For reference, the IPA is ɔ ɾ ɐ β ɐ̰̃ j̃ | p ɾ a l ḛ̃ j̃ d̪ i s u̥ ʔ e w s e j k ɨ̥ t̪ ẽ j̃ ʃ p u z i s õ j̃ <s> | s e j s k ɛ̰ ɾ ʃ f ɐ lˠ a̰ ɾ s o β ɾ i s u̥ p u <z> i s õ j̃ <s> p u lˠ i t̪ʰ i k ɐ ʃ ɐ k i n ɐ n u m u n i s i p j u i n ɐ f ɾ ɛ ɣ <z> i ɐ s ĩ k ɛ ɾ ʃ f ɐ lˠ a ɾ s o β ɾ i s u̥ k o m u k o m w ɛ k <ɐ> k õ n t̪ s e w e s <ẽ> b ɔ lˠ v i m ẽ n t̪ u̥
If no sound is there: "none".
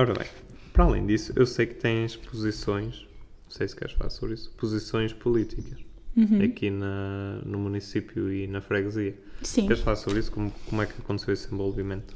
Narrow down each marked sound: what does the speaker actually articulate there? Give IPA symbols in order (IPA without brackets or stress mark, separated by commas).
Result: ʃ, z, ʃ, z, ɐ, ẽ